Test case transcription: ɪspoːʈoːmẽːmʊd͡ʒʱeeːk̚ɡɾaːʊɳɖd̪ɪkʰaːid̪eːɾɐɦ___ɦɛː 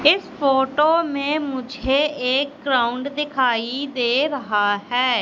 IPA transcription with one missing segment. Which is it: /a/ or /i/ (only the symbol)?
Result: a